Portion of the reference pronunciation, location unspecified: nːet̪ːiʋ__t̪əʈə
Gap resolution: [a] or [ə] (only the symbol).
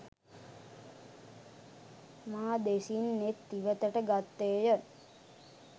ə